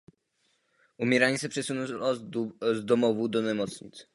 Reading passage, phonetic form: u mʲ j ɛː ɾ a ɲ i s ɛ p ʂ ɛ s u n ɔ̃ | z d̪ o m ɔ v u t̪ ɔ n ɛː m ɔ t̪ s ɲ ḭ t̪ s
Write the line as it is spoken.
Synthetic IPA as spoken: u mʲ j ɛ ɾ a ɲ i s ɛ p ʂ ɛ s u n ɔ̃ | z d̪ ɔ m ɔ v u d̪ ɔ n ɛ m ɔ t̪ s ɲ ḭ t̪ s